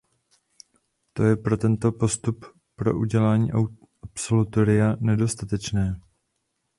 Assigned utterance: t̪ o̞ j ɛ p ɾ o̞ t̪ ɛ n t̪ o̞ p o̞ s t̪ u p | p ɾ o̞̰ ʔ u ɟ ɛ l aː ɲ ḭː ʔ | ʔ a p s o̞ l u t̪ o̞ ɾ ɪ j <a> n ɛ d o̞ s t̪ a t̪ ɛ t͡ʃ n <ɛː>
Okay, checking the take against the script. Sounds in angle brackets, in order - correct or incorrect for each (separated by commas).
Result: correct, correct